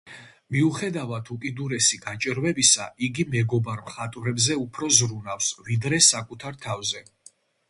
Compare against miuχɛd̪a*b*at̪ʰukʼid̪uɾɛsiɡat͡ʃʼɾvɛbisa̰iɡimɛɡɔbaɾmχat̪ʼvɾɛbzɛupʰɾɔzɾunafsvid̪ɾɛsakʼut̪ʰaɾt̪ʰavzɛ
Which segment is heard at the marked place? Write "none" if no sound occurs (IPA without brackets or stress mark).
v